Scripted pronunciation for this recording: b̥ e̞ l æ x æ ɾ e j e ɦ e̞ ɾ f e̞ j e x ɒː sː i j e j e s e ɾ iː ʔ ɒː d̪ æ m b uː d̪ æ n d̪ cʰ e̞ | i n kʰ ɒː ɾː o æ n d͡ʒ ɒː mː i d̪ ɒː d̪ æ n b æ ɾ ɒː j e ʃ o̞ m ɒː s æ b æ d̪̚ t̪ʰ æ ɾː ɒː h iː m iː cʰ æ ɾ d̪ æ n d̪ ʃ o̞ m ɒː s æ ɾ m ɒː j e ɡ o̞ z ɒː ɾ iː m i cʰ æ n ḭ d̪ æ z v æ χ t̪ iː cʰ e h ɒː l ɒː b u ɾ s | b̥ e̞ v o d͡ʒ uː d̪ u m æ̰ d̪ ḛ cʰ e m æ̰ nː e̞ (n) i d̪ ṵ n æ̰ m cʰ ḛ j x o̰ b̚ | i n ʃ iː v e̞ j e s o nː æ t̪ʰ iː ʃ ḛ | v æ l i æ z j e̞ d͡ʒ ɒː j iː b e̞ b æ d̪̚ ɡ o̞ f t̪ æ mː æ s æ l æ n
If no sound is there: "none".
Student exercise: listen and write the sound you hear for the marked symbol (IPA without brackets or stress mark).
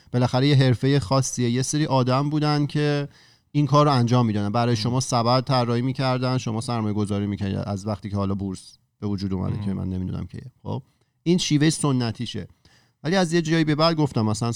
m